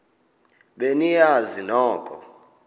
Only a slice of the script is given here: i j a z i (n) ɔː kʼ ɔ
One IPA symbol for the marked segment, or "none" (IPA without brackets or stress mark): n